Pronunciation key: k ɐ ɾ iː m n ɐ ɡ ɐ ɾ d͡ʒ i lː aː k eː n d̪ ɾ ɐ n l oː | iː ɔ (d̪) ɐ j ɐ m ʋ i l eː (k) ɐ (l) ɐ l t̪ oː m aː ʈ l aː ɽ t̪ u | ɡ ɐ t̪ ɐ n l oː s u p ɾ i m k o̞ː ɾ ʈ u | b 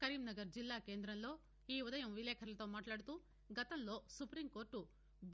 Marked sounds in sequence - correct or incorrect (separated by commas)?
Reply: correct, incorrect, incorrect